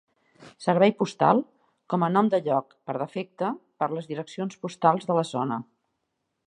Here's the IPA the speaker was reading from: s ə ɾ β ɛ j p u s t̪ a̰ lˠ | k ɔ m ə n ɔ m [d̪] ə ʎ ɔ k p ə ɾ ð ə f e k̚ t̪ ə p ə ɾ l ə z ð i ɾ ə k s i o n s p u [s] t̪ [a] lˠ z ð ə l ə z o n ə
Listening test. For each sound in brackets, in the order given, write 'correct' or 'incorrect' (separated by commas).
correct, correct, correct